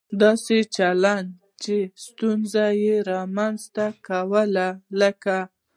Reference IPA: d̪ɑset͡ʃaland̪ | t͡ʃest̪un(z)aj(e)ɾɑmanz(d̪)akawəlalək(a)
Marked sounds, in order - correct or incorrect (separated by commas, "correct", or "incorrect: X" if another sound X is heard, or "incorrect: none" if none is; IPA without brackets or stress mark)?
correct, correct, incorrect: t̪, correct